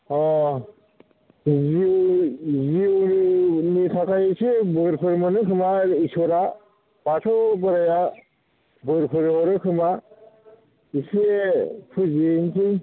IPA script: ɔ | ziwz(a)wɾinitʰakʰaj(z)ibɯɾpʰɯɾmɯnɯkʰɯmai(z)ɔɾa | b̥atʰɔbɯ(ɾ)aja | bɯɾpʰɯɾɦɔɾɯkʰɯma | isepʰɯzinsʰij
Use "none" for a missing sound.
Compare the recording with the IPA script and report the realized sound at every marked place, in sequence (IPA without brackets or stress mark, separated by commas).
i, s, s, ɾ